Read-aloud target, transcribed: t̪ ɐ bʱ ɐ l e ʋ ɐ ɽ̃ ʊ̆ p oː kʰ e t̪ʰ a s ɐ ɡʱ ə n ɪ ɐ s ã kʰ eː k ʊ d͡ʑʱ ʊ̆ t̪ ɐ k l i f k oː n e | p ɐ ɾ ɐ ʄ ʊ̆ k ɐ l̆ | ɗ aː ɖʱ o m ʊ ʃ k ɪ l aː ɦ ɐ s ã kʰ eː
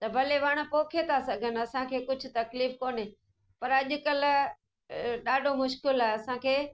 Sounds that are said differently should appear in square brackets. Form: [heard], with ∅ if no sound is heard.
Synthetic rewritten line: t̪ ɐ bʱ ɐ l e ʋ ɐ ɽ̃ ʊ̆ p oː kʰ e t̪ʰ a s ɐ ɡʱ ə n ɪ ɐ s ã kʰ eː k ʊ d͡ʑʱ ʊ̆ t̪ ɐ k l [iː] f k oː n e | p ɐ ɾ ɐ ʄ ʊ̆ k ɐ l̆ | ɗ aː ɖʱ o m ʊ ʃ k ɪ l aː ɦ ɐ s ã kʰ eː

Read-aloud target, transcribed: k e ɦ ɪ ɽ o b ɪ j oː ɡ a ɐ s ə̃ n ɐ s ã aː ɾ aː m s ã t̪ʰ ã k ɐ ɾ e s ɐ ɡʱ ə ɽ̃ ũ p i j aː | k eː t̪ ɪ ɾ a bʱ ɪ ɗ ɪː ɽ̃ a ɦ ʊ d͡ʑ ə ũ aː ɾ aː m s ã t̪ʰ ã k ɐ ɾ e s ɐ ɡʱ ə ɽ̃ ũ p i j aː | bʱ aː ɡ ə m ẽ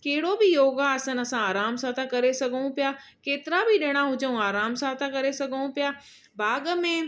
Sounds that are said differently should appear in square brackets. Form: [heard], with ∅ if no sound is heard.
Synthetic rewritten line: k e ɦ ɪ ɽ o b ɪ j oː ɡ a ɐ s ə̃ n ɐ s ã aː ɾ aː m s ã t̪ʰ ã k ɐ ɾ e s ɐ ɡʱ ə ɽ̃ ũ p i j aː | k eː t̪ ɪ ɾ a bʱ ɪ ɗ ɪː ɽ̃ a ɦ ʊ d͡ʑ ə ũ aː ɾ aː m s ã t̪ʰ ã k ɐ ɾ e s ɐ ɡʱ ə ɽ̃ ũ p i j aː | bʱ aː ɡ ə m ẽ

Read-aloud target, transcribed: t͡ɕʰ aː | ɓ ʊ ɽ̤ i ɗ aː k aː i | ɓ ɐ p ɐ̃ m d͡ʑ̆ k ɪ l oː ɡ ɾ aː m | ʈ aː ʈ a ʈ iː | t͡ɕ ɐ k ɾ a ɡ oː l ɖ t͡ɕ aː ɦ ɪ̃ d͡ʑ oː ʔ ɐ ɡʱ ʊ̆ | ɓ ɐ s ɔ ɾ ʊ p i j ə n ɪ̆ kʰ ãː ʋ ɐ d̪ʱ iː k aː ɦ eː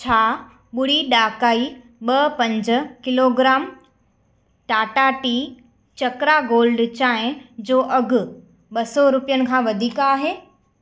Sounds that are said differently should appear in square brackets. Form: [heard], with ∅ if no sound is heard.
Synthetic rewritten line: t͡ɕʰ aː | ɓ ʊ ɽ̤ i ɗ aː k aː i | ɓ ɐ p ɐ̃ [ɲ] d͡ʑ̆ k ɪ l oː ɡ ɾ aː m | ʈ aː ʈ a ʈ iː | t͡ɕ ɐ k ɾ a ɡ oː l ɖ t͡ɕ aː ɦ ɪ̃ d͡ʑ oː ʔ ɐ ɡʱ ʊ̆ | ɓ ɐ s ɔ ɾ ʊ p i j ə n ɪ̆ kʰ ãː ʋ ɐ d̪ʱ iː k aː ɦ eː

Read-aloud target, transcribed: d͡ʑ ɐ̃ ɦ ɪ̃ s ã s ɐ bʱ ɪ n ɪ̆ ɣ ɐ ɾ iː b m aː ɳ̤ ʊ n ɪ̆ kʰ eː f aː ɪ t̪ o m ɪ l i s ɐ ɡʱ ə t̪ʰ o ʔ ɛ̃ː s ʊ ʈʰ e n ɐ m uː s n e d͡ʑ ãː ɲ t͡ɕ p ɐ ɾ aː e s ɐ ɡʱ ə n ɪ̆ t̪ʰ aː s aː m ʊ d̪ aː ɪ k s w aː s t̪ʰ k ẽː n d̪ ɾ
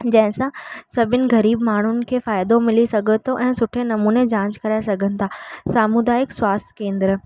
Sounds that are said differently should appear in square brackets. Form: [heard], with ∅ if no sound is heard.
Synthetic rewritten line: d͡ʑ ɐ̃ ɦ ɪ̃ s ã s ɐ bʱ ɪ n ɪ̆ ɣ ɐ ɾ iː b m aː ɳ̤ ʊ n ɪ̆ kʰ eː f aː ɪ [d̪] o m ɪ l i s ɐ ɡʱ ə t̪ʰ o ʔ ɛ̃ː s ʊ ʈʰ e n ɐ m uː [∅] n e d͡ʑ ãː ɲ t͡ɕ [k] ɐ ɾ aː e s ɐ ɡʱ ə n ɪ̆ t̪ʰ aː s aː m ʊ d̪ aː ɪ k s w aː s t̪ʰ k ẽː n d̪ ɾ

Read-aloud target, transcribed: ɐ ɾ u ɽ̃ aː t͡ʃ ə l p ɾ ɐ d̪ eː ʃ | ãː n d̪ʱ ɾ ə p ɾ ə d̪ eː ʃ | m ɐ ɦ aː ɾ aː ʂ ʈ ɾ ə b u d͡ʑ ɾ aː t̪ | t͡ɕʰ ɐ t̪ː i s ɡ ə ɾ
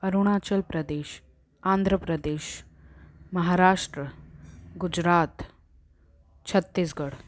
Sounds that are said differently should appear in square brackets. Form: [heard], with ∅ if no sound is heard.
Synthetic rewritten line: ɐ ɾ u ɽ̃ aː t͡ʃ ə l p ɾ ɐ d̪ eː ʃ | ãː n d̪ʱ ɾ ə p ɾ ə d̪ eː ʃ | m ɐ ɦ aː ɾ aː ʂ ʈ ɾ ə [ɡ] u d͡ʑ ɾ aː t̪ | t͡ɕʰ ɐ t̪ː i s ɡ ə [ɽ]

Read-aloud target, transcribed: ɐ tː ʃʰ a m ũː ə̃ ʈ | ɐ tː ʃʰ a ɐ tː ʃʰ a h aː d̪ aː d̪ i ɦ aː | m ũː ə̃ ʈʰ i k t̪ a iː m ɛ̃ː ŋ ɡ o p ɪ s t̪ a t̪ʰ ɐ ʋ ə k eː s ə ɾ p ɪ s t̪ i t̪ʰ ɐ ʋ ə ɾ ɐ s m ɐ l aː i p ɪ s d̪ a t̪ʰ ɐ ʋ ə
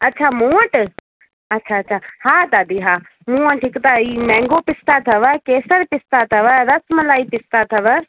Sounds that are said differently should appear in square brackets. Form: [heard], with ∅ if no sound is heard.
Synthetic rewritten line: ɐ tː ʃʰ a m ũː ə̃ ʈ | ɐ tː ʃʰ a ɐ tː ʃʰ a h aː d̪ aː d̪ i ɦ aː | m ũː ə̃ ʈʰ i k t̪ a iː m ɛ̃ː ŋ ɡ o p ɪ s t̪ a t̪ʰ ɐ ʋ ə k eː s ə ɾ p ɪ s t̪ [a] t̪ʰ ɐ ʋ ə ɾ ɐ s m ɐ l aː i p ɪ s [t̪] a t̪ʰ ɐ ʋ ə

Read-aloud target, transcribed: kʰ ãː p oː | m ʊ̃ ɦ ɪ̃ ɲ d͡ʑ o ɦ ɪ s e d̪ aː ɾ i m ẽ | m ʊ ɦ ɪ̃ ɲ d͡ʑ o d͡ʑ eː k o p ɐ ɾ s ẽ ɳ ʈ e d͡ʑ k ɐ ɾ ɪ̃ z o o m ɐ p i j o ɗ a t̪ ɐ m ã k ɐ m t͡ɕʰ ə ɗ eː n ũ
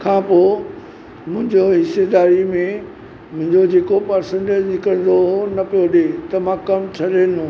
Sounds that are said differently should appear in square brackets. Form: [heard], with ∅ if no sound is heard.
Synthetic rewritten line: kʰ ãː p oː | m ʊ̃ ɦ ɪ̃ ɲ d͡ʑ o ɦ ɪ s e d̪ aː ɾ i m ẽ | m [ʊ̃] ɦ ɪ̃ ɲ d͡ʑ o d͡ʑ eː k o p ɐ ɾ s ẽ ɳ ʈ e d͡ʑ k ɐ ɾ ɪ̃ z o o [n] ɐ p i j o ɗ [e] t̪ ɐ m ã k ɐ m t͡ɕʰ [ɐ] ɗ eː n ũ

